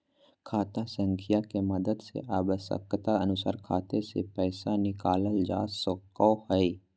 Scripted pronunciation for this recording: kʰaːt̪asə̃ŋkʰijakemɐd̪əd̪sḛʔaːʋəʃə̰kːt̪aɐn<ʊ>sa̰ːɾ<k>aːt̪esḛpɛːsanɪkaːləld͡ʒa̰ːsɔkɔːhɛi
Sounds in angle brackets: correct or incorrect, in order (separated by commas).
correct, incorrect